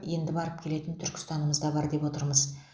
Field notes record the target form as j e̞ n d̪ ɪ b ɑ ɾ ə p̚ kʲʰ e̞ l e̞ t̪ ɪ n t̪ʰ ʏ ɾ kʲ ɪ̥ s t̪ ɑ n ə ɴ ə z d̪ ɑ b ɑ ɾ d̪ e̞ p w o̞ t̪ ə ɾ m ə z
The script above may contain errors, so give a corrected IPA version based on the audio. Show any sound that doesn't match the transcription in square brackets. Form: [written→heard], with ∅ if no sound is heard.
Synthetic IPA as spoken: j e̞ n d̪ ɪ b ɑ ɾ ə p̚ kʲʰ e̞ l e̞ t̪ ɪ n t̪ʰ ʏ ɾ kʲ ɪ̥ s t̪ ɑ n ə [ɴ→m] ə z d̪ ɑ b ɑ ɾ d̪ e̞ p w o̞ t̪ ə ɾ m ə z